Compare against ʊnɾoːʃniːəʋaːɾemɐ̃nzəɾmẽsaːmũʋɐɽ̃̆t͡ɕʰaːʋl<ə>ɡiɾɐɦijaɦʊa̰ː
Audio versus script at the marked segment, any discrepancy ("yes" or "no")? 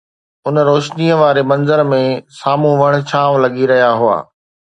yes